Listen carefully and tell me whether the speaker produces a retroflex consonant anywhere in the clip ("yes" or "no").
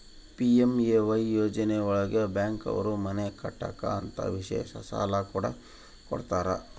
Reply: yes